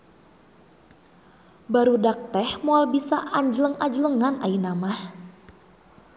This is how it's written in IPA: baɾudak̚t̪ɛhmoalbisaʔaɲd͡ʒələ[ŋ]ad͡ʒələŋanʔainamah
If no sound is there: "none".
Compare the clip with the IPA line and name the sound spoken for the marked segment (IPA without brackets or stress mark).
ŋ